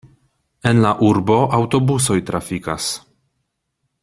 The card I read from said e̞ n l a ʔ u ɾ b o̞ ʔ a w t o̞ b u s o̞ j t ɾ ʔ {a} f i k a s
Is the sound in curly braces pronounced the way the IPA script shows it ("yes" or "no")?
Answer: yes